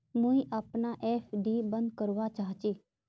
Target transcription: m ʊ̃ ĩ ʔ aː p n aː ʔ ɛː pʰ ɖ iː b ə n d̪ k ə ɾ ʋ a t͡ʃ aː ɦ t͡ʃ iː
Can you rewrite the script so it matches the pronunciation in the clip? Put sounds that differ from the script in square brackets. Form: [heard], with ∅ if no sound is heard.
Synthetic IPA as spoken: m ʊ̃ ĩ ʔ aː p n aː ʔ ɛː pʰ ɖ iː b ə n d̪ k ə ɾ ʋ a t͡ʃ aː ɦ t͡ʃ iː